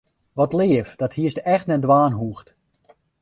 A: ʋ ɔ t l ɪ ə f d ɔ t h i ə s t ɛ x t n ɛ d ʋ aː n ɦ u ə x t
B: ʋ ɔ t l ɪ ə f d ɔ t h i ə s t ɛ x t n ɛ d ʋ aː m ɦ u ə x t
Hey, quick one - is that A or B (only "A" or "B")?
A